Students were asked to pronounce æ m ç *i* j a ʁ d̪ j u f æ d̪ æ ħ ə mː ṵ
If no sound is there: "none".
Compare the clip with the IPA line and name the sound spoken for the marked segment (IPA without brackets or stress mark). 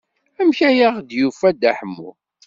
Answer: æ